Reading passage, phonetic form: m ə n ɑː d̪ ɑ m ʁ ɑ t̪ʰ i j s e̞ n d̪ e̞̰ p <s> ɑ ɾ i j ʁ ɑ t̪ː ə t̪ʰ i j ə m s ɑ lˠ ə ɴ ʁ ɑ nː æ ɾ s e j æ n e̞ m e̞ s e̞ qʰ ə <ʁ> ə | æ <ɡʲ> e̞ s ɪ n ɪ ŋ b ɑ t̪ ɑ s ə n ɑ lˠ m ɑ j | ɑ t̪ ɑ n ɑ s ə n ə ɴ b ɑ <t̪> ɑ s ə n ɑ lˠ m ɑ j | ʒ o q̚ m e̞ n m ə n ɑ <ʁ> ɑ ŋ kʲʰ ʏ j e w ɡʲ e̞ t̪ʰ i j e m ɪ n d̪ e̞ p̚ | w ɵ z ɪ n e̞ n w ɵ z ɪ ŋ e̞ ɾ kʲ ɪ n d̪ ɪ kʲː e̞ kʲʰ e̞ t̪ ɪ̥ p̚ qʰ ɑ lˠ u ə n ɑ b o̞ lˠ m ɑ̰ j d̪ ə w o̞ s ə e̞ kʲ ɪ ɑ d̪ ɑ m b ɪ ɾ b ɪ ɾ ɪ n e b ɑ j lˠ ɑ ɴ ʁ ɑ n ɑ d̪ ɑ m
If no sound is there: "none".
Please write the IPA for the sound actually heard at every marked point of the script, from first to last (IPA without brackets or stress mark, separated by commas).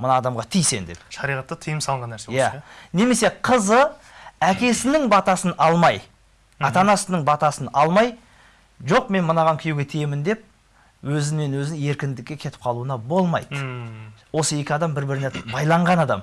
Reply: ʃ, z, kʲ, t̪, ʁ